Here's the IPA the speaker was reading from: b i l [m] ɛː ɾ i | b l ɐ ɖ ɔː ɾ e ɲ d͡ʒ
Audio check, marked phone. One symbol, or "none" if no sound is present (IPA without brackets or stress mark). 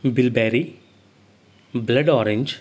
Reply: b